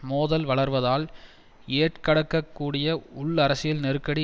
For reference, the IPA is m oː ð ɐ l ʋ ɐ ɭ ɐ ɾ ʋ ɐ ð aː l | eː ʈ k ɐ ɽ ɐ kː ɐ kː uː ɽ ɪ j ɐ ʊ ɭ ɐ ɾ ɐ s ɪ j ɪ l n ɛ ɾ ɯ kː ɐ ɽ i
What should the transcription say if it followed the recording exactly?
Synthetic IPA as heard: m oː ð ɐ l ʋ ɐ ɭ ɐ ɾ ʋ ɐ ð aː l | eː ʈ k ɐ ɽ ɐ kː ɐ kː uː ɽ ɪ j ɐ ʊ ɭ ɐ ɾ ɐ s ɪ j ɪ l n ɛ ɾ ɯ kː ɐ ɽ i